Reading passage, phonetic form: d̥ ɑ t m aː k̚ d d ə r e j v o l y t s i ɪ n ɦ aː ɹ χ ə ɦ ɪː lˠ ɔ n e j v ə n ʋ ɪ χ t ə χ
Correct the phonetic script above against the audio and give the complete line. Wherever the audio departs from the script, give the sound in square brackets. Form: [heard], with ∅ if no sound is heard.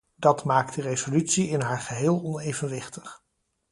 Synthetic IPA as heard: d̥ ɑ t m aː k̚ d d ə r e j [z] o l y t s i ɪ n ɦ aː ɹ χ ə ɦ ɪː lˠ ɔ n e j v ə n ʋ ɪ χ t ə χ